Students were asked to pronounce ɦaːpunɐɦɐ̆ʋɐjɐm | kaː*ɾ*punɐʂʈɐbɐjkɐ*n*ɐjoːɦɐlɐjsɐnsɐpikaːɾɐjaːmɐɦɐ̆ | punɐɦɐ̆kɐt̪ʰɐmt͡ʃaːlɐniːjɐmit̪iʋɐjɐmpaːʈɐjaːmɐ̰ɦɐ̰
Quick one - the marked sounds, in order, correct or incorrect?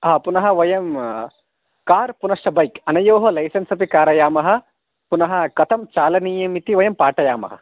correct, correct

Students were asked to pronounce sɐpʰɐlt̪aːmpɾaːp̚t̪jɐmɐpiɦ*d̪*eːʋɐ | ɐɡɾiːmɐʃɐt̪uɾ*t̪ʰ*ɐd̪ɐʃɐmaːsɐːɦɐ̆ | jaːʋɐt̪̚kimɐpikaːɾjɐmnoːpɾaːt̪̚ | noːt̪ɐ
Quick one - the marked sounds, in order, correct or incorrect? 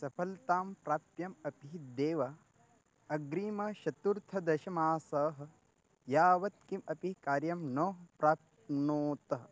correct, correct

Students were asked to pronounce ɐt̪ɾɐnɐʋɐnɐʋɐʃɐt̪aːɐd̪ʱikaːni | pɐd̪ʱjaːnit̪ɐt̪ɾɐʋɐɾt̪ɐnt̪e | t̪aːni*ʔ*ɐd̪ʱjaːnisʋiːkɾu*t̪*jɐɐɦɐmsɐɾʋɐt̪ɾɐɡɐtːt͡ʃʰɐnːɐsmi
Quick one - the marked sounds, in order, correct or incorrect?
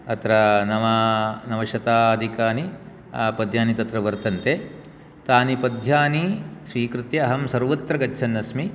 incorrect: p, correct

